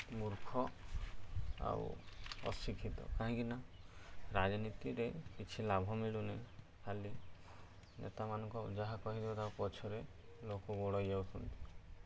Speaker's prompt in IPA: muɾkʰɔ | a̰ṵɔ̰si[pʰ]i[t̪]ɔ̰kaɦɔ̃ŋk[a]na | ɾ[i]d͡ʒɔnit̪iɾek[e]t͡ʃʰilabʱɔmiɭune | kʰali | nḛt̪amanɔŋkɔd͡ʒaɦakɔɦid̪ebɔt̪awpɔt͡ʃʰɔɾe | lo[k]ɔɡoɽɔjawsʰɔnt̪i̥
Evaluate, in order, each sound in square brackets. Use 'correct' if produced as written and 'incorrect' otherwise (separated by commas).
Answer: incorrect, correct, incorrect, incorrect, incorrect, correct